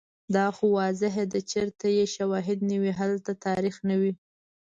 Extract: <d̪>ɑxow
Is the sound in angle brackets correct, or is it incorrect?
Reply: correct